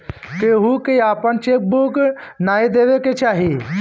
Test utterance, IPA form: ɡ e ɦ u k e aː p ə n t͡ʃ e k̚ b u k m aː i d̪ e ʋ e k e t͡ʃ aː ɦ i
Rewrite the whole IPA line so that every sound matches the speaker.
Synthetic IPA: k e ɦ u k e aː p ə n t͡ʃ e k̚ b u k n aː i d̪ e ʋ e k e t͡ʃ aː ɦ i